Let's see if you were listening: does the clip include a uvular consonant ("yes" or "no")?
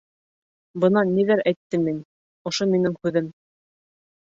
no